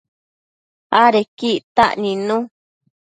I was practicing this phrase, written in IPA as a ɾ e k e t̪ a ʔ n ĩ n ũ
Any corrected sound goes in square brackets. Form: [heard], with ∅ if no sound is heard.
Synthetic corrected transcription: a ɾ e k [i] t̪ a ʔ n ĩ n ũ